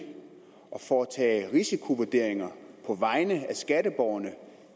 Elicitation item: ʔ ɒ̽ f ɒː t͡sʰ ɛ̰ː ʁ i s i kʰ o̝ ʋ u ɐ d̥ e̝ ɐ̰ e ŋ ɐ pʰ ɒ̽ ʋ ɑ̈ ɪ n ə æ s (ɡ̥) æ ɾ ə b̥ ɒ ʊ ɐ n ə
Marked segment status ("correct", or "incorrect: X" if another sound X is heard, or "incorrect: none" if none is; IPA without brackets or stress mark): correct